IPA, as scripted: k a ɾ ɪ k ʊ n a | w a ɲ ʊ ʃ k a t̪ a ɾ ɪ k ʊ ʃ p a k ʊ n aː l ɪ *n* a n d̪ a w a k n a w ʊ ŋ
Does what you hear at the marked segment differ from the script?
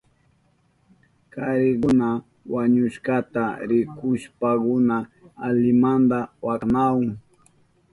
yes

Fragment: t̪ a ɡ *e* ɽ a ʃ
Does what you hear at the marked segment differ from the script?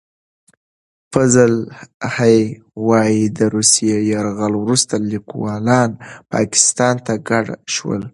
yes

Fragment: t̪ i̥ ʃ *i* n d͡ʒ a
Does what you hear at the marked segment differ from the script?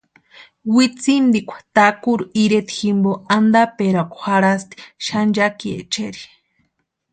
yes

